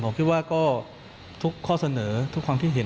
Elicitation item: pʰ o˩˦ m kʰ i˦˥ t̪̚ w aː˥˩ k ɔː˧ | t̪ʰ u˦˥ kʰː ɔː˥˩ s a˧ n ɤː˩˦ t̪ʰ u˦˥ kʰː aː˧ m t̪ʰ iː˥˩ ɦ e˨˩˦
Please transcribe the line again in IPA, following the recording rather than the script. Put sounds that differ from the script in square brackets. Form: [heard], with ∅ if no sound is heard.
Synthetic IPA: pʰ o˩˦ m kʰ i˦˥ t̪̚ w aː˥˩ k [ɔː˥˩] | t̪ʰ u˦˥ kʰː ɔː˥˩ s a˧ n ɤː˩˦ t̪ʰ u˦˥ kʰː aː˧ m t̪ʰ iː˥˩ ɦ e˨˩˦